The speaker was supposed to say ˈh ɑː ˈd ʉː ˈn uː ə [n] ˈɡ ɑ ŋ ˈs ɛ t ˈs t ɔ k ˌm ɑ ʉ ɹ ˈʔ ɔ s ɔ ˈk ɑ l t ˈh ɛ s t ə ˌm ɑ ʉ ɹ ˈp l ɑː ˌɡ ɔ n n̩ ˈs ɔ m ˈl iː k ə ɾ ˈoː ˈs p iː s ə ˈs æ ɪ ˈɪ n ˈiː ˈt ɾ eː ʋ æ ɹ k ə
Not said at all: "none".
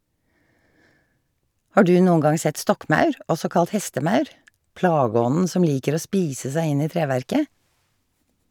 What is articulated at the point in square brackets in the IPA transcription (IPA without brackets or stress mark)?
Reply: ŋ